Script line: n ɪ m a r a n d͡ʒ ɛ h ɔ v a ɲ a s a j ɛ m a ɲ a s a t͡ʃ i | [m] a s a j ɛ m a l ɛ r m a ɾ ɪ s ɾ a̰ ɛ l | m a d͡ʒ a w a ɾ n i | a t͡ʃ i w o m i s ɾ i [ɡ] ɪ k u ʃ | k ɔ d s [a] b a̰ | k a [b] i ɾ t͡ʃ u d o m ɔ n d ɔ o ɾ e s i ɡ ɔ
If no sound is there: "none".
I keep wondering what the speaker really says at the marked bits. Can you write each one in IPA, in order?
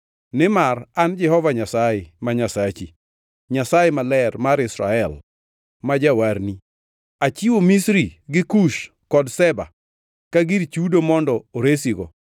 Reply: ɲ, ɡ, ɛ, ɡ

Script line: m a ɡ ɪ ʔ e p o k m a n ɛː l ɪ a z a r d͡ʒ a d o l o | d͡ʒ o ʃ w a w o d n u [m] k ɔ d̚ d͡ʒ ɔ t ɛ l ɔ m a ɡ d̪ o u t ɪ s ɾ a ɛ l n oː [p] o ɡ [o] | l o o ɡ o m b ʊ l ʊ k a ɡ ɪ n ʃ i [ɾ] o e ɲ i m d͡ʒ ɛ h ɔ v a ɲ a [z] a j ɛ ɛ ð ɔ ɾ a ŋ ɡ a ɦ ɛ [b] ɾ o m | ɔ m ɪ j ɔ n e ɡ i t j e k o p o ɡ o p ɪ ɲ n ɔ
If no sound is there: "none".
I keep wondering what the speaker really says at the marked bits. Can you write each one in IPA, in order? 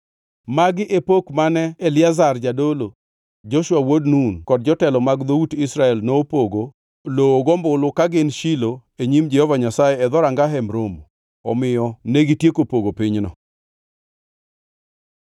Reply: n, p, o, l, s, m

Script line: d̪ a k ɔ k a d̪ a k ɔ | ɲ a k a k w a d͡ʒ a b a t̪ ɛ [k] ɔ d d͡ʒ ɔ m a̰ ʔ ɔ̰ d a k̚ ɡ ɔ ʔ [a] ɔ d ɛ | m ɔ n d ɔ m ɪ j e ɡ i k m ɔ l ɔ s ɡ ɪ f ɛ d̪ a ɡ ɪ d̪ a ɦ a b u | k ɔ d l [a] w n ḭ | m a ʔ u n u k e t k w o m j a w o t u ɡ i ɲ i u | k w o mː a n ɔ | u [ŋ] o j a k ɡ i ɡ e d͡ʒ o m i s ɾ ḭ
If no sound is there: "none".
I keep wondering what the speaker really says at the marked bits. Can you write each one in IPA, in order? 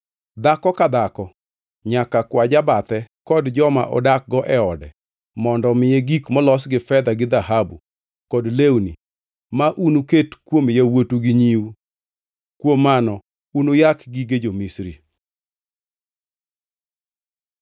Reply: k, ɛ, e, n

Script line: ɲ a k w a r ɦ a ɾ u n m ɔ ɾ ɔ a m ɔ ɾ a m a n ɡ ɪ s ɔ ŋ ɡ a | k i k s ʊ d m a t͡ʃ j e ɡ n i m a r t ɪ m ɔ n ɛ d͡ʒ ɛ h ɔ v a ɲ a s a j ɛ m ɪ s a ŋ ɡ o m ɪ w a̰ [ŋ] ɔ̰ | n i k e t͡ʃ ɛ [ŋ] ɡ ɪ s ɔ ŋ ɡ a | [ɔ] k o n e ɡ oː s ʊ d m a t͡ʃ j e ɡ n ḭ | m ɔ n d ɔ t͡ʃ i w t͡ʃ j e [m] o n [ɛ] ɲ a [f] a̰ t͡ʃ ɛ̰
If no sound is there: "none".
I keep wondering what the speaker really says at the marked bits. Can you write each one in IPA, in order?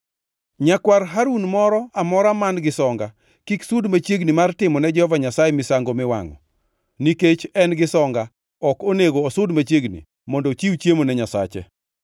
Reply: ŋ, n, ɔ, m, ɛ, s

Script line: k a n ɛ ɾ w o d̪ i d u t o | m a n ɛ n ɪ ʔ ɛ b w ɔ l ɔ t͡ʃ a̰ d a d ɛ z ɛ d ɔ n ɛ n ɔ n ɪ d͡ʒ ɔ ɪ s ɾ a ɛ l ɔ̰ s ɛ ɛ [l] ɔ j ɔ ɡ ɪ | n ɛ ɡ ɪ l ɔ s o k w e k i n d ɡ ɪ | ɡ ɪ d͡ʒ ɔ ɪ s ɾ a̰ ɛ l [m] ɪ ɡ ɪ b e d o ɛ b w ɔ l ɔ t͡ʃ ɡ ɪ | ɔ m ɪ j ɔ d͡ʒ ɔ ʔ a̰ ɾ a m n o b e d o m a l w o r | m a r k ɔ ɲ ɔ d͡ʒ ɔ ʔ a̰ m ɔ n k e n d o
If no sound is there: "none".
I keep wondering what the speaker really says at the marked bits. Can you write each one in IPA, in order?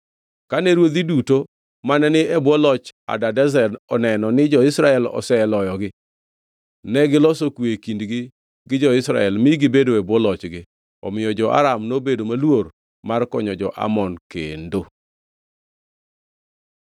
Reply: l, m

